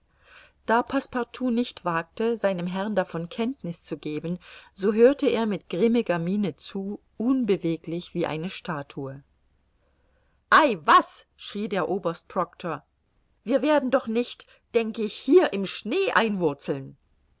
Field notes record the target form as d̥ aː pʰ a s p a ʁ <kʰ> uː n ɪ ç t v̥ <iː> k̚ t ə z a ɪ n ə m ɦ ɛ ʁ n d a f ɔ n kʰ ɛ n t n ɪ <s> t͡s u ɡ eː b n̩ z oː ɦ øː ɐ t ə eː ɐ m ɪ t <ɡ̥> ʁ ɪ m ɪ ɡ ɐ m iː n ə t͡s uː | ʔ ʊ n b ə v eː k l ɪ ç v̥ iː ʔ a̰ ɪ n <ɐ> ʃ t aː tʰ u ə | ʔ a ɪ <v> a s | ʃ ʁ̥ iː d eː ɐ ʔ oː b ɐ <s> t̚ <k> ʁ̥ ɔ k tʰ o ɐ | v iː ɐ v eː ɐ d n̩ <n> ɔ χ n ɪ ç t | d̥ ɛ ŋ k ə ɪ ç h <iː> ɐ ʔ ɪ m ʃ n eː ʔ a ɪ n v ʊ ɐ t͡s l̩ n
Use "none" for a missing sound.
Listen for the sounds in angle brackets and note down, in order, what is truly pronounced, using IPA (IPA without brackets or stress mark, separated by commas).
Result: tʰ, aː, s, ɡ̥, ə, v, s, p, d, iː